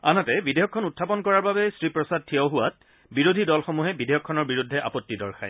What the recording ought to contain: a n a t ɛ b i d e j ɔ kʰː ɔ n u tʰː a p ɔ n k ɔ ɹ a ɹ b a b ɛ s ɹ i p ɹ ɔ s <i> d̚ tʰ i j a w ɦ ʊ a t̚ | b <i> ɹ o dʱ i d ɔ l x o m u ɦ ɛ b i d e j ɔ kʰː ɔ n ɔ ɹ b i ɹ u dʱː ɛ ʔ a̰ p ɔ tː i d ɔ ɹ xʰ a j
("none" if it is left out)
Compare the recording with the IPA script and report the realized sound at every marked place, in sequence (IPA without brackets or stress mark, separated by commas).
a, i